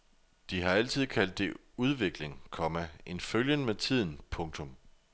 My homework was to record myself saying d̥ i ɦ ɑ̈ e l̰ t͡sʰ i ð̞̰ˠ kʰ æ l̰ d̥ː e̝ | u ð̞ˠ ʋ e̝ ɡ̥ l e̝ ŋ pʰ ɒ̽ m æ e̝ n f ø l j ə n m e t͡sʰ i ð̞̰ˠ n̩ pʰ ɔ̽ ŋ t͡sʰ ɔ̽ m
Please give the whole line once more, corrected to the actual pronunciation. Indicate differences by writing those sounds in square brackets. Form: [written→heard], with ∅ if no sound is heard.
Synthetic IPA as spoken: d̥ i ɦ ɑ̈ [e→æ] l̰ t͡sʰ i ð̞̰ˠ kʰ æ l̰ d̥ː e̝ | u ð̞ˠ ʋ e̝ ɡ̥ l e̝ ŋ [pʰ→kʰ] ɒ̽ m æ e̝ n f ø l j ə n m e t͡sʰ i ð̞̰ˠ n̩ pʰ ɔ̽ ŋ t͡sʰ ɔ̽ m